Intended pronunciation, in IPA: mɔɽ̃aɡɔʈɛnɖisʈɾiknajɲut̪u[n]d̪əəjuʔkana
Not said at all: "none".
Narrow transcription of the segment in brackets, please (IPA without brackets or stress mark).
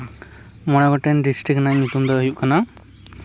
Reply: m